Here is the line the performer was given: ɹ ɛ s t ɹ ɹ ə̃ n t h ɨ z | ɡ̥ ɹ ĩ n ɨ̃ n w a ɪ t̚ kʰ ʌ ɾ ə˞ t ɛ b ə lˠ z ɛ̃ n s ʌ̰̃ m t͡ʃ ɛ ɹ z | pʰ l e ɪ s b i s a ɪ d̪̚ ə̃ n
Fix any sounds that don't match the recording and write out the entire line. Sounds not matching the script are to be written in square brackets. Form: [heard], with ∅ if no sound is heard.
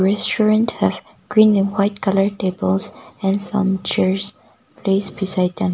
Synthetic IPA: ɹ ɛ s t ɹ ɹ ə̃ n t h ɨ [v] | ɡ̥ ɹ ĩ n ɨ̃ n w a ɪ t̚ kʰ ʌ [l] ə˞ t [e] b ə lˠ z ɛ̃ n s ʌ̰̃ m t͡ʃ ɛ ɹ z | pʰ l e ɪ s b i s a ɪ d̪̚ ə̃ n